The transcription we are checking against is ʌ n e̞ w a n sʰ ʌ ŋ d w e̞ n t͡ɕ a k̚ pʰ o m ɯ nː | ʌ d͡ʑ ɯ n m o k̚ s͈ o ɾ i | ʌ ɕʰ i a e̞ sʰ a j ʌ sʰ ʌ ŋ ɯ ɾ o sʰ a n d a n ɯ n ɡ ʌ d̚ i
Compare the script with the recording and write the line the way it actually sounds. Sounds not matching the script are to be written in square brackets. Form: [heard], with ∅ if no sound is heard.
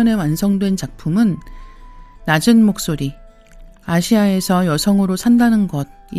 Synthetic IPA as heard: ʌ n e̞ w a n sʰ ʌ ŋ d w e̞ n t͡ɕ a k̚ pʰ [u] m ɯ nː | [a] d͡ʑ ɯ n m o k̚ s͈ o ɾ i | [a] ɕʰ i a e̞ sʰ [ʌ] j ʌ sʰ ʌ ŋ ɯ ɾ o sʰ a n d a n ɯ n ɡ ʌ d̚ i